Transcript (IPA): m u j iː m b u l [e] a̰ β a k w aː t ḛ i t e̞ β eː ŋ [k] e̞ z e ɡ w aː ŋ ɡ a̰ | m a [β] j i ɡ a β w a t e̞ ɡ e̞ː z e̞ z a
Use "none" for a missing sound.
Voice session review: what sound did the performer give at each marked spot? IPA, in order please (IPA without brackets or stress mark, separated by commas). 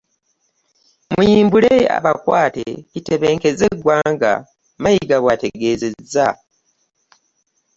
e, k, none